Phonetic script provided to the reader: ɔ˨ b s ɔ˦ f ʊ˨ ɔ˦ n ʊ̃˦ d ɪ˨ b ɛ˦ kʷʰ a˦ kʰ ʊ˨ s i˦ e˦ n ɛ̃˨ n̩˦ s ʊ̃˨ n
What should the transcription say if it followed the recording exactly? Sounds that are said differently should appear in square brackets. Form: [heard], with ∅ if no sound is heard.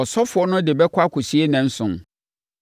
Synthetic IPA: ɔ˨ [∅] s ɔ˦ f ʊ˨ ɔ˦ n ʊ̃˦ d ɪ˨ b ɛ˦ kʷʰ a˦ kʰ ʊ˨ s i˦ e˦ n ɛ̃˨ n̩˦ s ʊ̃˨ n